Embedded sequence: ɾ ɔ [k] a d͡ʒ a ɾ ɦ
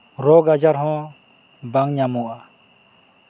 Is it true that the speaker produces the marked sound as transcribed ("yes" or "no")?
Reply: no